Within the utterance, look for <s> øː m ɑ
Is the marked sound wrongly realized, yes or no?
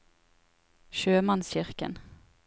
yes